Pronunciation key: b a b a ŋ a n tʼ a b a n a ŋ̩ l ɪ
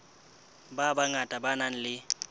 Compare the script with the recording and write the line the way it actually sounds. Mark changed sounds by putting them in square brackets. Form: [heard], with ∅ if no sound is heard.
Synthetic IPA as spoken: b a b a ŋ a [∅] tʼ a b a n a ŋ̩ l ɪ